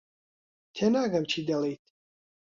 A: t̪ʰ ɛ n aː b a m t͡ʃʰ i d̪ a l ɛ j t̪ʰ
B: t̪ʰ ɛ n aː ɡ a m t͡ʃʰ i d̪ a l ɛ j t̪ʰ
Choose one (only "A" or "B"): B